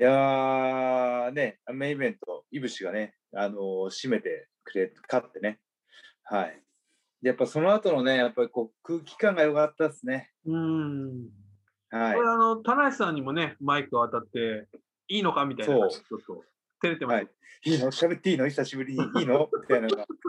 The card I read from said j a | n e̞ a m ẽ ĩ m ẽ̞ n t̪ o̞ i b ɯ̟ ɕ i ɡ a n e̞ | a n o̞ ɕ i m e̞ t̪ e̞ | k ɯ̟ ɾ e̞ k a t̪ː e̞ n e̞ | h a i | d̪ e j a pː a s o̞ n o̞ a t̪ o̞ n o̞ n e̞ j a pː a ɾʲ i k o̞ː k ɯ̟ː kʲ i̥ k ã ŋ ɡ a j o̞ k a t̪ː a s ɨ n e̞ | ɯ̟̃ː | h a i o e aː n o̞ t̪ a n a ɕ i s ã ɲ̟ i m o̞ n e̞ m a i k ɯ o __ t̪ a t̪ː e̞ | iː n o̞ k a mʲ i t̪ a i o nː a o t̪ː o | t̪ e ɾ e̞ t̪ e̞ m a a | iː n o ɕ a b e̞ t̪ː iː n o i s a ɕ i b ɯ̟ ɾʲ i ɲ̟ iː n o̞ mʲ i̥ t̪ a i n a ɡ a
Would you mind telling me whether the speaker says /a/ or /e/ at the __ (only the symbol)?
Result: a